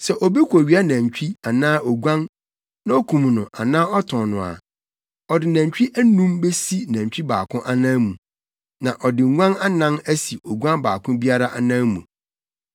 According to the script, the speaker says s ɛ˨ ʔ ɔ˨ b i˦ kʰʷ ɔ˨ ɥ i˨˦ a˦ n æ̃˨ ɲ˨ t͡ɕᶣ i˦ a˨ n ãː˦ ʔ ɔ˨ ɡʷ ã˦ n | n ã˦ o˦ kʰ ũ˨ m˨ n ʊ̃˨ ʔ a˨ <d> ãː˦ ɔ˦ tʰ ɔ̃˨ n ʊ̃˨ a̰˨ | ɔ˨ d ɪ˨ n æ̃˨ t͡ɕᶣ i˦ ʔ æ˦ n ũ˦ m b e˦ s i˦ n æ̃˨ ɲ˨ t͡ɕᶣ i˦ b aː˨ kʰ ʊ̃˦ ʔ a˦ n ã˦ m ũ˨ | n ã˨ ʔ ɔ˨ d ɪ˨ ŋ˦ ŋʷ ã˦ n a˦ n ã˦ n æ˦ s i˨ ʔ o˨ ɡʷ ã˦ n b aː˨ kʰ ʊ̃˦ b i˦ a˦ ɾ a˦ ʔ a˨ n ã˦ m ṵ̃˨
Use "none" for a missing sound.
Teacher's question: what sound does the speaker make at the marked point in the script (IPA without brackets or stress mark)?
n